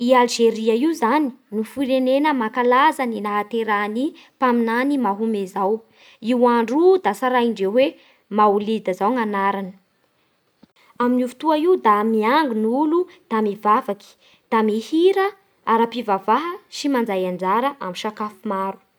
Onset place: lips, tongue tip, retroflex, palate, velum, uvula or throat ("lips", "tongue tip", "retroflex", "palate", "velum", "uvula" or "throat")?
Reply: tongue tip